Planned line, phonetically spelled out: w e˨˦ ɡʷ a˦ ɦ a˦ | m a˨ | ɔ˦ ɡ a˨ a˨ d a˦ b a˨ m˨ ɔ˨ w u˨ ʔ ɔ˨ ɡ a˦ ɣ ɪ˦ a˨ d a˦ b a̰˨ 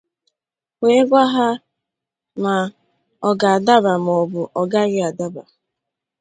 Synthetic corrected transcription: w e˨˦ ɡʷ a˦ ɦ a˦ | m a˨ | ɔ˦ ɡ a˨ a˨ d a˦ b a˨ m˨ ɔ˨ b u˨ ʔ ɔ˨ ɡ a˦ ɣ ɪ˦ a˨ d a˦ b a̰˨